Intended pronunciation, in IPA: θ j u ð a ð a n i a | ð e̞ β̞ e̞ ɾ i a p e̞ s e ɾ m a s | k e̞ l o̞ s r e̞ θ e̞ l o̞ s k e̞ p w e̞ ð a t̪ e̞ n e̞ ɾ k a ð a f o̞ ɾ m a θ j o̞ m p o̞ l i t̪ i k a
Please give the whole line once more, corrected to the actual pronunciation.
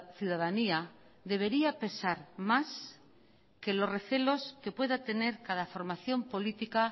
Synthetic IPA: θ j u ð a ð a n i a | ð e̞ β̞ e̞ ɾ i a p e̞ s a ɾ m a s | k e̞ l o̞ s r e̞ θ e̞ l o̞ s k e̞ p w e̞ ð a t̪ e̞ n e̞ ɾ k a ð a f o̞ ɾ m a θ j o̞ m p o̞ l i t̪ i k a